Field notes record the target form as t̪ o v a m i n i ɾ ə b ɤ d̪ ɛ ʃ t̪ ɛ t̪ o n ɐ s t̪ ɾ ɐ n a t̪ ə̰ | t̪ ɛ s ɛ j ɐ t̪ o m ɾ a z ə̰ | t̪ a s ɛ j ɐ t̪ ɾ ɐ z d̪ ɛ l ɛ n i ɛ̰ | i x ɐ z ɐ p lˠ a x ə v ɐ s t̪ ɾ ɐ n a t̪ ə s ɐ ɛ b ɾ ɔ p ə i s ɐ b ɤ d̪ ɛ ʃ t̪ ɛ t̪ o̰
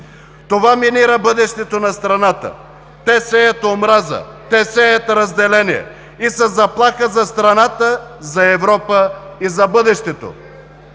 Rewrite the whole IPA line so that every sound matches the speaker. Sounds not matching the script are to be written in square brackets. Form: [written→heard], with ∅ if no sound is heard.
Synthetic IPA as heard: t̪ o v a m i n i ɾ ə b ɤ d̪ ɛ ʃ t̪ ɛ t̪ o n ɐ s t̪ ɾ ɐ n a t̪ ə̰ | t̪ ɛ s ɛ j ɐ t̪ o m ɾ a z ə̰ | t̪ [a→ɛ] s ɛ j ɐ t̪ ɾ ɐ z d̪ ɛ l ɛ n i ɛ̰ | i [x→s] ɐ z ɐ p lˠ a x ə [v→z] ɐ s t̪ ɾ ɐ n a t̪ ə [s→z] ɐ ɛ [b→v] ɾ ɔ p ə i [s→z] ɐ b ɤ d̪ ɛ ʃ t̪ ɛ t̪ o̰

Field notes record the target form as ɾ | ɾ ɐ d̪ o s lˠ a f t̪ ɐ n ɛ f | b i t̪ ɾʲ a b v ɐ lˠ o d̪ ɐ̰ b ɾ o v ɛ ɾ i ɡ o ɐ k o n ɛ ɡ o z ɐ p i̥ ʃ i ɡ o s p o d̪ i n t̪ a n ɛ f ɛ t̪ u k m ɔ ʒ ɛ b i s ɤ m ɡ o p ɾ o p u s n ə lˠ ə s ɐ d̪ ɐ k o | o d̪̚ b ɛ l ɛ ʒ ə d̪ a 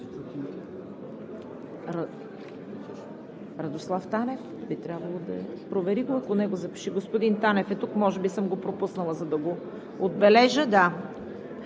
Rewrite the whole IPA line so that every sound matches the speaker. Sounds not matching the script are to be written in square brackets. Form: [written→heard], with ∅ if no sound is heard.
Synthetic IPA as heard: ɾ | ɾ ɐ d̪ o s lˠ a f t̪ [ɐ→a] n ɛ f | b i t̪ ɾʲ a b v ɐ lˠ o d̪ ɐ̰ [b→p] ɾ o v ɛ ɾ i ɡ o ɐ k o n ɛ ɡ o z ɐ p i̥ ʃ i ɡ o s p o d̪ i n t̪ a n ɛ f ɛ t̪ u k m ɔ ʒ ɛ b i s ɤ m ɡ o p ɾ o p u s n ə lˠ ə [s→z] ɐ d̪ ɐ [k→ɡ] o | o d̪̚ b ɛ l ɛ ʒ ə d̪ a

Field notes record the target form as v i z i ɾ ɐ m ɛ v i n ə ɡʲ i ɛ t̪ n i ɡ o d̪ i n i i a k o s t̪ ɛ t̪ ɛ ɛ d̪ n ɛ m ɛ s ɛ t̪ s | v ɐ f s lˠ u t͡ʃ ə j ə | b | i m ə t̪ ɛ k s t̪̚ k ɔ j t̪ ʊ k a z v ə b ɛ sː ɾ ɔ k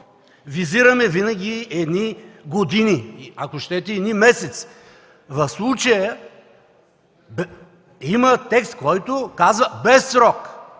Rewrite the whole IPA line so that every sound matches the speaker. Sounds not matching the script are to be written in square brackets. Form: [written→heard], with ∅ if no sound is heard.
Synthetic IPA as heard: v i z i ɾ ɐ m ɛ v i n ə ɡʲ i ɛ [t̪→d̪] n i ɡ o d̪ i n i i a k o [s→ʃ] t̪ ɛ t̪ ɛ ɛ d̪ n [ɛ→i] m ɛ s ɛ t̪ s | v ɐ f s lˠ u t͡ʃ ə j ə | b | i m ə t̪ ɛ k s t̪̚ k ɔ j t̪ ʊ k a z v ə b ɛ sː ɾ ɔ k

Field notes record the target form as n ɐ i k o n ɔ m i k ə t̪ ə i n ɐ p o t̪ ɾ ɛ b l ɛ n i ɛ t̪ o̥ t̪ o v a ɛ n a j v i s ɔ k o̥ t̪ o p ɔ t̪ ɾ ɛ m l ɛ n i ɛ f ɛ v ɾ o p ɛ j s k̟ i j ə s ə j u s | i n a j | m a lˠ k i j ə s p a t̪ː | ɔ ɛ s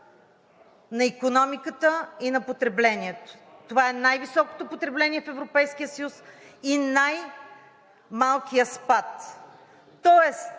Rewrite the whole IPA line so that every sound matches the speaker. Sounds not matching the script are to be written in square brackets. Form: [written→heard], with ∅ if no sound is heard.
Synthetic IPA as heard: n ɐ i k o n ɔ m i k ə t̪ ə i n ɐ p o t̪ ɾ ɛ b l ɛ n i ɛ t̪ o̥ t̪ o v a ɛ n a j v i s ɔ k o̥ t̪ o p [ɔ→o] t̪ ɾ ɛ [m→b] l ɛ n i ɛ f ɛ v ɾ o p ɛ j s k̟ i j ə s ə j u s | i n a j | m a lˠ k i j ə s p a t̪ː | ɔ ɛ s

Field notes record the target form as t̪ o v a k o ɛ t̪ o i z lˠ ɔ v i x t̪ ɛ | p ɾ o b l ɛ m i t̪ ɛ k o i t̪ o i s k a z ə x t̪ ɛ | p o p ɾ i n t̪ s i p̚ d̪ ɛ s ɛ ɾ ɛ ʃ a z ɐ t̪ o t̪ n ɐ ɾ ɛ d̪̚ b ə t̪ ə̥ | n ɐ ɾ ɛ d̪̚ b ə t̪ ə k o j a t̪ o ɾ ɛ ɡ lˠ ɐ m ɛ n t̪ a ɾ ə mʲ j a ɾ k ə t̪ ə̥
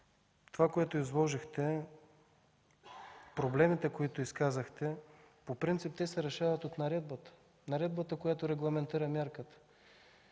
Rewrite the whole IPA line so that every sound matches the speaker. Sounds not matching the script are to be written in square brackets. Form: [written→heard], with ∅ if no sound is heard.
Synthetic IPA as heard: t̪ o v a k o ɛ t̪ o i z lˠ ɔ [v→ʒ] i x t̪ ɛ | p ɾ o b l ɛ m i t̪ ɛ k o i t̪ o i s k a z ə x t̪ ɛ | p o p ɾ i n t̪ s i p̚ [d̪→t̪] ɛ s ɛ ɾ ɛ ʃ a [z→v] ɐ t̪ o t̪ n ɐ ɾ ɛ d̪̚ b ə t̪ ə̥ | n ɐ ɾ ɛ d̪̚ b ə t̪ ə k o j a t̪ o ɾ ɛ ɡ lˠ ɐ m ɛ n t̪ [a→i] ɾ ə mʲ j a ɾ k ə t̪ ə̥

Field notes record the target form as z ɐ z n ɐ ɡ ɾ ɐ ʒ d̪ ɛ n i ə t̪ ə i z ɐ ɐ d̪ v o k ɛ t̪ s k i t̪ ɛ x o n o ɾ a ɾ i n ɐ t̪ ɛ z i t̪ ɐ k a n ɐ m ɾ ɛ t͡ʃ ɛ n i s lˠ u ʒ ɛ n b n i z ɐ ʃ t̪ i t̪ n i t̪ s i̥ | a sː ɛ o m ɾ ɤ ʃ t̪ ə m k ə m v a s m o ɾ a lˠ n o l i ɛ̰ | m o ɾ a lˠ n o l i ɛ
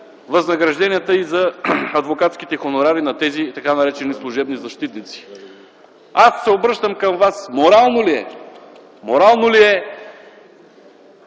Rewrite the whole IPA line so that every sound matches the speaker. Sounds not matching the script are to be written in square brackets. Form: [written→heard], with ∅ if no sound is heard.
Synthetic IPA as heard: [z→v] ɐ z n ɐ ɡ ɾ ɐ ʒ d̪ ɛ n i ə t̪ ə i z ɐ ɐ d̪ v o k [ɛ→a] t̪ s k i t̪ ɛ x o n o ɾ a ɾ i n ɐ t̪ ɛ z i t̪ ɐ k a n ɐ [m→∅] ɾ ɛ t͡ʃ ɛ n i s lˠ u ʒ ɛ [n→∅] b n i z ɐ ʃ t̪ i t̪ n i t̪ s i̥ | a sː ɛ o [m→b] ɾ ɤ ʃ t̪ ə m k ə m v a s m o ɾ a lˠ n o l i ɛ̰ | m o ɾ a lˠ n o l i ɛ

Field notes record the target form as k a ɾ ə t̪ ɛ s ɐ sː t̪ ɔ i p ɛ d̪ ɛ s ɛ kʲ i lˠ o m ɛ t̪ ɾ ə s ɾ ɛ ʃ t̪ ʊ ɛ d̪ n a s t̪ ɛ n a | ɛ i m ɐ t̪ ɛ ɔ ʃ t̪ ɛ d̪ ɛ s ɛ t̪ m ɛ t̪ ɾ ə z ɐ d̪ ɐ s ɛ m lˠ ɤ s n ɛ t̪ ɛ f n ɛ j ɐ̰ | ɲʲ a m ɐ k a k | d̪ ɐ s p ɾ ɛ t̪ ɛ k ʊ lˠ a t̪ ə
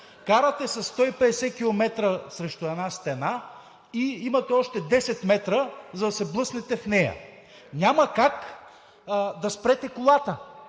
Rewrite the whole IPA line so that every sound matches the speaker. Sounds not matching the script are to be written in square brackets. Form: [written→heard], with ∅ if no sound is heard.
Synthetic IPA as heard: k a ɾ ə t̪ ɛ s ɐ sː t̪ ɔ i p ɛ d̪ ɛ s ɛ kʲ i lˠ o m ɛ t̪ ɾ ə s ɾ ɛ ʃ t̪ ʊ ɛ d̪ n a s t̪ ɛ n a | [ɛ→i] i m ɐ t̪ ɛ ɔ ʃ t̪ ɛ d̪ ɛ s ɛ t̪ m ɛ t̪ ɾ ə z ɐ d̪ ɐ s ɛ [m→b] lˠ ɤ s n ɛ t̪ ɛ f n ɛ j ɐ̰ | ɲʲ a m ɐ k a k | d̪ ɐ s p ɾ ɛ t̪ ɛ k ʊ lˠ a t̪ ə

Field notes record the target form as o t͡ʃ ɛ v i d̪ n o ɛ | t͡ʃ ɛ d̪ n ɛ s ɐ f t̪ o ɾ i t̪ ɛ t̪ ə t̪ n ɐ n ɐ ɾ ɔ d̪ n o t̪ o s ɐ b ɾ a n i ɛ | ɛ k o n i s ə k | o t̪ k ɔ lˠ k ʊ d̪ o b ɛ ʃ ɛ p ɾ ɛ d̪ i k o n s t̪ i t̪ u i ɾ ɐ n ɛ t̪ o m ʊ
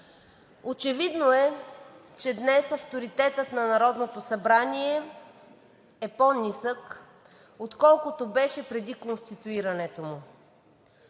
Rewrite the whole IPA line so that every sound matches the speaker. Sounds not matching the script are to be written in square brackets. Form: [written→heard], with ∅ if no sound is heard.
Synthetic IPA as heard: o t͡ʃ ɛ v i d̪ n o ɛ | t͡ʃ ɛ d̪ n ɛ s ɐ f t̪ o ɾ i t̪ ɛ t̪ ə t̪ n ɐ n ɐ ɾ ɔ d̪ n o t̪ o s ɐ b ɾ a n i ɛ | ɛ [k→p] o n i s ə k | o t̪ k ɔ lˠ k ʊ [d̪→t̪] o b ɛ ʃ ɛ p ɾ ɛ d̪ i k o n s t̪ i t̪ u i ɾ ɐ n ɛ t̪ o m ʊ

